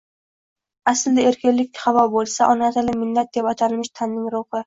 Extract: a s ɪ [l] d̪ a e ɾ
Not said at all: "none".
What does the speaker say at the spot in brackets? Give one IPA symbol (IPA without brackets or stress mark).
l